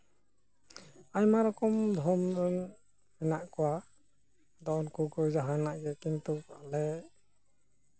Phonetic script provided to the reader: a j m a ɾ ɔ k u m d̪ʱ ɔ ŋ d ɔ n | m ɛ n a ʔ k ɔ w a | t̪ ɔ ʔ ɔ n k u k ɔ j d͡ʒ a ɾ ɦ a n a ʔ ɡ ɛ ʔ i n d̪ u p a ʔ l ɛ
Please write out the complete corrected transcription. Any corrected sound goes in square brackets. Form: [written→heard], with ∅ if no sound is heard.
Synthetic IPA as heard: a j m a ɾ ɔ k [u→ɔ] m d̪ʱ ɔ [ŋ→m] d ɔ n | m ɛ n a ʔ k ɔ w a | [t̪→d̪] ɔ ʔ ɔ n k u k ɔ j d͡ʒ a [ɾ→∅] ɦ a n a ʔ ɡ ɛ [ʔ→k] i n [d̪→t̪] u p a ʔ l ɛ